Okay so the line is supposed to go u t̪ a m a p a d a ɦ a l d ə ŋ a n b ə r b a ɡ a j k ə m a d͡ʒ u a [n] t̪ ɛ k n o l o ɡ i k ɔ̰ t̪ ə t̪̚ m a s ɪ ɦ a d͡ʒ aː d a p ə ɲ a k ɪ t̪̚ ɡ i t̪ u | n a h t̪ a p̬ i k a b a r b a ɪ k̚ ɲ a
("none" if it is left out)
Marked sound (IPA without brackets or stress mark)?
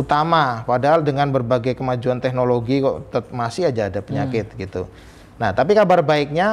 n